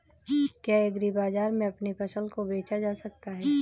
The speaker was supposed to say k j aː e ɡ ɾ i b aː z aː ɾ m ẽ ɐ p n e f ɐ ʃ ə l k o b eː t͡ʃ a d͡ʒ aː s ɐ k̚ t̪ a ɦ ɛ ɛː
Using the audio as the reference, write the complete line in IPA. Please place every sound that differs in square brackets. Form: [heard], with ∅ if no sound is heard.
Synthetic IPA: k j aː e ɡ ɾ i b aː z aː ɾ m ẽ ɐ p n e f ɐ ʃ ə l k o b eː t͡ʃ a d͡ʒ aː s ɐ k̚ t̪ a ɦ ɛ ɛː